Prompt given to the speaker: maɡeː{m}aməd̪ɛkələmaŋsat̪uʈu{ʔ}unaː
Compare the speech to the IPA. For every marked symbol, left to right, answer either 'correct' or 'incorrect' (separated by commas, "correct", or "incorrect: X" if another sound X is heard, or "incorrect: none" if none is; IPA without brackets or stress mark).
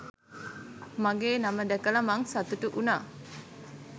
incorrect: n, correct